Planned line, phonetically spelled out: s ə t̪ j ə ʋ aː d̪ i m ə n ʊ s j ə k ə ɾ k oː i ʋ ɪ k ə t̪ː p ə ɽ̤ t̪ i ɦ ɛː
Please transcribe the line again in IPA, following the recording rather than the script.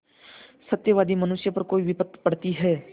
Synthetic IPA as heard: s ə t̪ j ə ʋ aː d̪ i m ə n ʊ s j ə p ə ɾ k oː i ʋ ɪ p ə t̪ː p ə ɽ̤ t̪ i ɦ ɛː